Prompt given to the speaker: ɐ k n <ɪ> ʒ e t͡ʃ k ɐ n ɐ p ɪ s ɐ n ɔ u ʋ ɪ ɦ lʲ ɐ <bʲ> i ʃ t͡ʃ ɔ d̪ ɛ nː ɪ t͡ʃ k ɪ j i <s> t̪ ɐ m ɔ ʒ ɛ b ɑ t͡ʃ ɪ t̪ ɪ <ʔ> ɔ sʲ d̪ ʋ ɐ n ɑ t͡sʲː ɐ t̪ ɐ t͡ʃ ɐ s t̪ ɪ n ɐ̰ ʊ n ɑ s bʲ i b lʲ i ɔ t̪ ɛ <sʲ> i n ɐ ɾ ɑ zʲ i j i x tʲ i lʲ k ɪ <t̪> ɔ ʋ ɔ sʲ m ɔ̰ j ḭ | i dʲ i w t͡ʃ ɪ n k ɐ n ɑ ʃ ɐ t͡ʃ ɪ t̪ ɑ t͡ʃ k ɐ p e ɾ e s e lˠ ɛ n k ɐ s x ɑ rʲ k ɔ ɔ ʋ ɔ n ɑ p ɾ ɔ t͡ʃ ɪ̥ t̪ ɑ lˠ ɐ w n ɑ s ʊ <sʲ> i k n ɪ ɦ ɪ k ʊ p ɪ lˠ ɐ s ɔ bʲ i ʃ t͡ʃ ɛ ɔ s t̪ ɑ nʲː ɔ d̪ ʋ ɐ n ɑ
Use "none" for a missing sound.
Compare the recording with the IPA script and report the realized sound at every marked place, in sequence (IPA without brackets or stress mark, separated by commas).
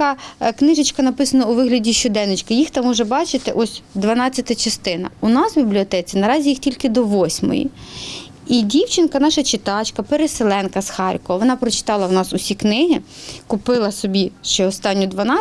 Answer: ɪ, dʲ, x, ʔ, t͡sʲ, d̪, sʲ